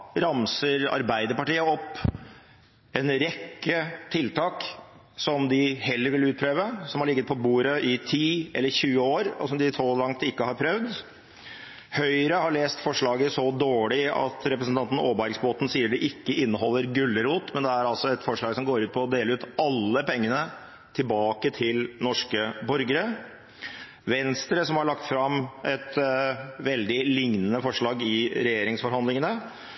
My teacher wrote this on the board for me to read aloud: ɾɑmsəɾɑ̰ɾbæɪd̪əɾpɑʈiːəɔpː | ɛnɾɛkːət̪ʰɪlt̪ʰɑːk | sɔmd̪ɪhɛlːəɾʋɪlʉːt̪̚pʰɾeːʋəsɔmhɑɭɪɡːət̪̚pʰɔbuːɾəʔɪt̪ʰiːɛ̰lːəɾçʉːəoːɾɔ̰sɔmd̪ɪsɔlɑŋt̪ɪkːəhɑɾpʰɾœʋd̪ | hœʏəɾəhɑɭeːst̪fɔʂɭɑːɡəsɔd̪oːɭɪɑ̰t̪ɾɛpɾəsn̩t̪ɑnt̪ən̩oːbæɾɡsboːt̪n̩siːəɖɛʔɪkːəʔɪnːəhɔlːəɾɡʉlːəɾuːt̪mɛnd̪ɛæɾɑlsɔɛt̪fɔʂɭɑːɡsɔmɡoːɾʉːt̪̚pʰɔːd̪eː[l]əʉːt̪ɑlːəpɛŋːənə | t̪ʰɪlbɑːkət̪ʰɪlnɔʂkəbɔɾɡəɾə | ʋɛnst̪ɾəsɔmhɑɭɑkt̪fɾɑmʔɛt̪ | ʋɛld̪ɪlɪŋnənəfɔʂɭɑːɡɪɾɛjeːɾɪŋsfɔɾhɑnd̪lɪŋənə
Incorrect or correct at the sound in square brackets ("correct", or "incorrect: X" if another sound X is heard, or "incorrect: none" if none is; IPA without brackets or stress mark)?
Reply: correct